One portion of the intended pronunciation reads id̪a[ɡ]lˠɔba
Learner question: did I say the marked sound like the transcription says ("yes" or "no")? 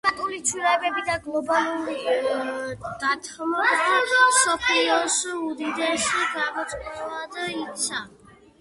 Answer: yes